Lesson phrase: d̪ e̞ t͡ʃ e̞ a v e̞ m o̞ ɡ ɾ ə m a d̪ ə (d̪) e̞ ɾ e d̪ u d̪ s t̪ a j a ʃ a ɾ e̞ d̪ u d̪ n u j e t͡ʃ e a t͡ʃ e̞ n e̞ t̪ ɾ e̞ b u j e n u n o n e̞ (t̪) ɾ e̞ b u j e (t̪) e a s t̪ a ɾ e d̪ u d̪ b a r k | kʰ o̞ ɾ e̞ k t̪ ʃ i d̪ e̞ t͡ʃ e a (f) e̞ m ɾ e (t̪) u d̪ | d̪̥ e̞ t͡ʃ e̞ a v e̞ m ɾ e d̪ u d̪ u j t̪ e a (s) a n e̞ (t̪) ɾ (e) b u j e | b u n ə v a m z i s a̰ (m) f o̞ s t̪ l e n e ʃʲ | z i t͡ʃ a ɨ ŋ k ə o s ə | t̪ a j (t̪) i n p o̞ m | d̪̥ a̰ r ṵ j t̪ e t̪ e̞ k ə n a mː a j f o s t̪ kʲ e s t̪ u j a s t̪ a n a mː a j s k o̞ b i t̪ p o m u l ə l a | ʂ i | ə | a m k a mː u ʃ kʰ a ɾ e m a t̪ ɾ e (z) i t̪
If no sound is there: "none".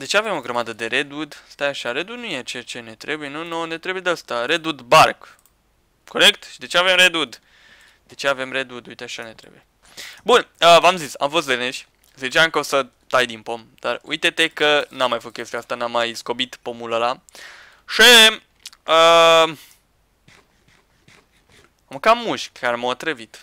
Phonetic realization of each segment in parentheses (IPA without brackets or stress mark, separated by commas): d̪, t̪, d̪, v, d̪, ʃ, t̪, e, m, d̪, v